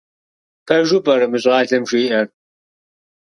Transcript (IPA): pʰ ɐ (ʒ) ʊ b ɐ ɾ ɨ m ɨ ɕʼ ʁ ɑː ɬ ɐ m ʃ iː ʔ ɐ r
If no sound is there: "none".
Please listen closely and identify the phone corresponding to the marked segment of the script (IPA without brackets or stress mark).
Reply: ʒ